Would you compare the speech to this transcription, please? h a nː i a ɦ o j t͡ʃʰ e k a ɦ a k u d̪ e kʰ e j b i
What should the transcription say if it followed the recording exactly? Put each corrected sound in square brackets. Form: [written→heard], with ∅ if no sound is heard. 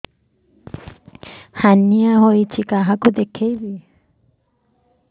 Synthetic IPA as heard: h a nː i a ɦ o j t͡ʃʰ [e→i] k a ɦ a k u d̪ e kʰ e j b i